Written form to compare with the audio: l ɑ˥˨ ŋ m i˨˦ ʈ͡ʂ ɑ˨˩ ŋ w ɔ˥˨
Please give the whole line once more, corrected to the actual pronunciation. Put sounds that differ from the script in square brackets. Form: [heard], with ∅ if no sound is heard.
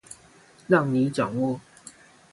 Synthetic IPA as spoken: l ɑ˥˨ ŋ [n] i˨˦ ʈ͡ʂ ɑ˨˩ ŋ w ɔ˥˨